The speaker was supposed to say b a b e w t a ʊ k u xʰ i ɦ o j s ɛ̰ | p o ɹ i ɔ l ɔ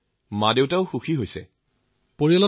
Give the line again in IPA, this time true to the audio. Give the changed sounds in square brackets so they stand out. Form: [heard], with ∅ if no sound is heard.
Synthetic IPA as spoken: [m] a [d] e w t a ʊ [x] u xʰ i ɦ o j s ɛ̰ | p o ɹ i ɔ l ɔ